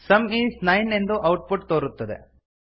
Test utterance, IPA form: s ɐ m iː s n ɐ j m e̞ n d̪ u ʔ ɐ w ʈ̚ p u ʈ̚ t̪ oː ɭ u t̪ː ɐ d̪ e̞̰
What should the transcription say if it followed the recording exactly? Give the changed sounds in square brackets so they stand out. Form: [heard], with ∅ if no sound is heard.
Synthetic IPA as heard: s ɐ m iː s n ɐ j [n] e̞ n d̪ u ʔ ɐ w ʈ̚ p u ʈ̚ t̪ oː [ɾ] u t̪ː ɐ d̪ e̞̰